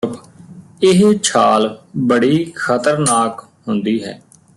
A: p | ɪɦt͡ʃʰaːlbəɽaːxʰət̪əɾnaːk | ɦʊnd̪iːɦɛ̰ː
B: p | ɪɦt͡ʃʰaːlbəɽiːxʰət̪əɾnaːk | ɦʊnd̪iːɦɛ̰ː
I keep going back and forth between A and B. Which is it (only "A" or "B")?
B